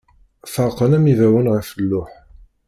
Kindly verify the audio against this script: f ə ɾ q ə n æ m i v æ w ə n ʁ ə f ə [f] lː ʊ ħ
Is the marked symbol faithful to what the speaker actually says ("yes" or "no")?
no